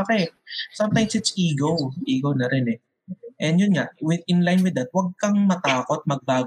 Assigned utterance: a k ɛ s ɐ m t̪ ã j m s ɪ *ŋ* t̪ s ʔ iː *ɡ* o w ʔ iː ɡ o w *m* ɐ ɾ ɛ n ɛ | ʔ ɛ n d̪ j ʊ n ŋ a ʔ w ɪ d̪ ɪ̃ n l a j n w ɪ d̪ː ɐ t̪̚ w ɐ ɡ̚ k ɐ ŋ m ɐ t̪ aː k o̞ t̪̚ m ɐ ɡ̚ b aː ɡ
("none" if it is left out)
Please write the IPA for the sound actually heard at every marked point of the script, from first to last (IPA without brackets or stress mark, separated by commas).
none, ɡ, n